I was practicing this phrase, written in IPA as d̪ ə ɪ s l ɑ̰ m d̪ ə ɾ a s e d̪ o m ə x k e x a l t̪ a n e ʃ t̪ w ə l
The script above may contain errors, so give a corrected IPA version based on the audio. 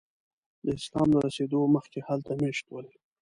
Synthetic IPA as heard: d̪ ə ɪ s l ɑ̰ m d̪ ə ɾ a s e d̪ o m ə x k e h a l t̪ a m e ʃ t̪ w ə l